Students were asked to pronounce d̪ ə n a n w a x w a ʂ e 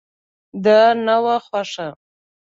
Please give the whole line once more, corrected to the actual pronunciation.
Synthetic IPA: d̪ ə n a w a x w a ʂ a